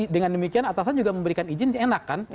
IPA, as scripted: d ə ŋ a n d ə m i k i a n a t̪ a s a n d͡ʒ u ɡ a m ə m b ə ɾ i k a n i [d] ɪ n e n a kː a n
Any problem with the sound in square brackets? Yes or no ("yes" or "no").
yes